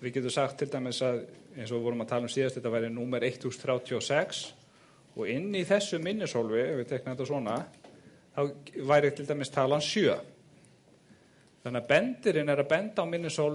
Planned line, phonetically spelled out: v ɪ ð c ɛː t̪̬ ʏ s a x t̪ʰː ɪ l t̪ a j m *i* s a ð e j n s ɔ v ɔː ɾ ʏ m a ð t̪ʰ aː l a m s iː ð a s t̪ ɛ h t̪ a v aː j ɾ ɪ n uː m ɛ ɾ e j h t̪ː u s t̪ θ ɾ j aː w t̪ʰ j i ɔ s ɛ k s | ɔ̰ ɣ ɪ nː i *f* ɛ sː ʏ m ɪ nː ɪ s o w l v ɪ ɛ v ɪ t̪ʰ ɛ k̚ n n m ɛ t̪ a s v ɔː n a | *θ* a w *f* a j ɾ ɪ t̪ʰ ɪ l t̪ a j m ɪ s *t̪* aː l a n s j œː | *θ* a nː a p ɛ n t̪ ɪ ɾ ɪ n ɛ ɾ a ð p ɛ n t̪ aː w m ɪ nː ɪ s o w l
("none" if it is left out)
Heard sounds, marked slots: ɪ, θ, θ, v, t̪ʰ, θ

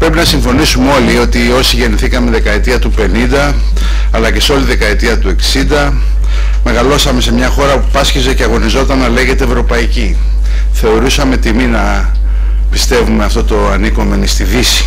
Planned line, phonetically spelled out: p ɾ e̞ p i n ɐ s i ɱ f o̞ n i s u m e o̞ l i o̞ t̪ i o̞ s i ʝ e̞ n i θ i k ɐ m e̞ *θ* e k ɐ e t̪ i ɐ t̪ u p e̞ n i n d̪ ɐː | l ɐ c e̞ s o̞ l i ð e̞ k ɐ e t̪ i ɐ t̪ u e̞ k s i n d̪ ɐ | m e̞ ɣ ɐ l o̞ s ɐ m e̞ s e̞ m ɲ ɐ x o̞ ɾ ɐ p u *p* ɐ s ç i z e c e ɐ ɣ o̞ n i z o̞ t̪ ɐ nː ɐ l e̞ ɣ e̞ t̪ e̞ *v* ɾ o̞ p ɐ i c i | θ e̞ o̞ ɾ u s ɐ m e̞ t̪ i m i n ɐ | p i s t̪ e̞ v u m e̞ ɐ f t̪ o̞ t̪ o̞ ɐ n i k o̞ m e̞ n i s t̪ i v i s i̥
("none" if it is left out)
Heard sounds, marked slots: ð, p, v

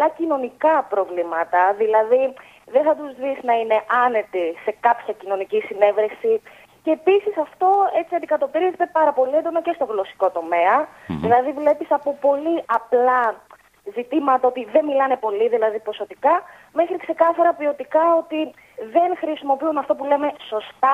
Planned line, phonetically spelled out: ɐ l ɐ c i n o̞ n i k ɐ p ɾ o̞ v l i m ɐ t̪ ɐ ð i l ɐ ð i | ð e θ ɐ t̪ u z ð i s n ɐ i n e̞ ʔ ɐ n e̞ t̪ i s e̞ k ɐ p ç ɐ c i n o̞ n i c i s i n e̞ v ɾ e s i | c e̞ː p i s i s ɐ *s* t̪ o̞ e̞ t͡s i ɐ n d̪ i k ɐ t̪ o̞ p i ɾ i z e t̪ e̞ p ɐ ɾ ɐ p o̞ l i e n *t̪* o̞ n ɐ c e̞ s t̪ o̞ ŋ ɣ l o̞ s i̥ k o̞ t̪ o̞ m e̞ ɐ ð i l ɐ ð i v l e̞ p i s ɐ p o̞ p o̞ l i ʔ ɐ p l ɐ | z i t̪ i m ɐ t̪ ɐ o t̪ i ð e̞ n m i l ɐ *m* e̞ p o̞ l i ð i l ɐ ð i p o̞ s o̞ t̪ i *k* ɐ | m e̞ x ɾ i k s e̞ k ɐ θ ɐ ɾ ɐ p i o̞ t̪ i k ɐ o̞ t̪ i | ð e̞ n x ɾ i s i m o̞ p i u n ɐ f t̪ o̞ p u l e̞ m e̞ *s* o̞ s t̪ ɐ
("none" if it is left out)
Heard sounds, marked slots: f, d̪, n, k, s

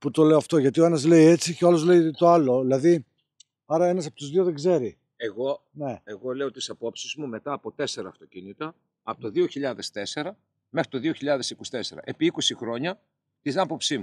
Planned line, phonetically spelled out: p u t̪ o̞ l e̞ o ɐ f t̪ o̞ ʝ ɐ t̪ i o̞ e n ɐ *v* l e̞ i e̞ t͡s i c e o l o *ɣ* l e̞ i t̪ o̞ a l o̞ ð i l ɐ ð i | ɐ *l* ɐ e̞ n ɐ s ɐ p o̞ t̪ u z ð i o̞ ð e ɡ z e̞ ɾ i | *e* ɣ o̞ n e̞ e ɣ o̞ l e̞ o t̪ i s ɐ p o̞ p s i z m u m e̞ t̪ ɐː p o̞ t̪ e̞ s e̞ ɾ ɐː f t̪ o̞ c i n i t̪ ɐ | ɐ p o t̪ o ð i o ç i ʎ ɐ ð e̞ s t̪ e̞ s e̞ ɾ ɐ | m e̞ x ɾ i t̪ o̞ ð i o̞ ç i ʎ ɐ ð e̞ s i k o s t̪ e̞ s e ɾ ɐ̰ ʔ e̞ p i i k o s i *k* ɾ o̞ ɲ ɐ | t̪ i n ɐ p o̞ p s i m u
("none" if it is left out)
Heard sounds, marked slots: z, z, ɾ, e, x

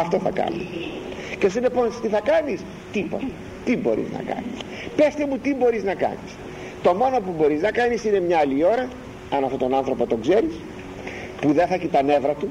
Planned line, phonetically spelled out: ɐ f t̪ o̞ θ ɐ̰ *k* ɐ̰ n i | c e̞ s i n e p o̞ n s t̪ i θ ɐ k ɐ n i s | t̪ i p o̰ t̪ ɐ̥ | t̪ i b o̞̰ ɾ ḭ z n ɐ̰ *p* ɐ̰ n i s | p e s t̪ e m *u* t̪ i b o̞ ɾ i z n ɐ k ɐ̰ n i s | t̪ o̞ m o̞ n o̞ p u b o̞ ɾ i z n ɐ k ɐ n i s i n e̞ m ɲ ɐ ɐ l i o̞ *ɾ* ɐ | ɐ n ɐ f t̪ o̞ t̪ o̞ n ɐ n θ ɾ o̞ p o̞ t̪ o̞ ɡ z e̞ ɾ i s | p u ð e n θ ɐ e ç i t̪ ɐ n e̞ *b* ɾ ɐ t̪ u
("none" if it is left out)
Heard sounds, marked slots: k, k, u, ɾ, v

